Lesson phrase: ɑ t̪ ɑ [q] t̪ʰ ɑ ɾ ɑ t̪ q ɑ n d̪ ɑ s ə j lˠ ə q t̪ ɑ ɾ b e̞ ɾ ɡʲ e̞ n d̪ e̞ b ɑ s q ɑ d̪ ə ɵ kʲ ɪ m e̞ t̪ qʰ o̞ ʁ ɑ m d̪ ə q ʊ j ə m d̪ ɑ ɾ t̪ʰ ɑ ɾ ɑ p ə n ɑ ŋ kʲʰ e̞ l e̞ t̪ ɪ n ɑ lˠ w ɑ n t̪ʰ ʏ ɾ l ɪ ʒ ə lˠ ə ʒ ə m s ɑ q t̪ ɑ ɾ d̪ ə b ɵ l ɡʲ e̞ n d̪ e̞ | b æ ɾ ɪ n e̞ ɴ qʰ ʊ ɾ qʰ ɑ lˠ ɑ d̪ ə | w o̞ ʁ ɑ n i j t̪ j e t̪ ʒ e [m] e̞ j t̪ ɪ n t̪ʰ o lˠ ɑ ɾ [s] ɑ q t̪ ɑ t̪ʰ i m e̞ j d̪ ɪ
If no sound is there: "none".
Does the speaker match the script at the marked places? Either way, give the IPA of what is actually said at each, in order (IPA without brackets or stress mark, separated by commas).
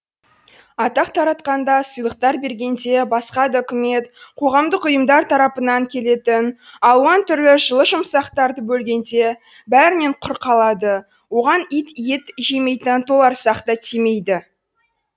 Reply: q, m, s